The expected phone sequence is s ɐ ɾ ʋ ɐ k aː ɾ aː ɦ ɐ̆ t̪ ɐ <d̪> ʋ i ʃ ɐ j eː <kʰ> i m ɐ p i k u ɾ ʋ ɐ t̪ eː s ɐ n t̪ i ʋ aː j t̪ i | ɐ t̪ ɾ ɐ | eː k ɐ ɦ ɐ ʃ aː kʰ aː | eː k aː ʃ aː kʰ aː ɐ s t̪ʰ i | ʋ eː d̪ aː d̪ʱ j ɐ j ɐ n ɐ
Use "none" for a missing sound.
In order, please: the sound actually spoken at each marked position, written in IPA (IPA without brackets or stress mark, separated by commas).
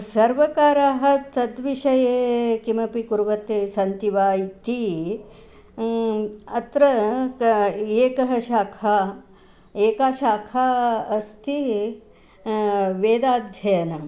d̪, k